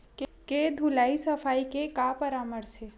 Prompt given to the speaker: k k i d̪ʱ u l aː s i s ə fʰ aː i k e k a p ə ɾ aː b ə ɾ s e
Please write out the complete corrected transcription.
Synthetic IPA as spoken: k k e d̪ʱ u l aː i s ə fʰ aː i k e k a p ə ɾ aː m ə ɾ s e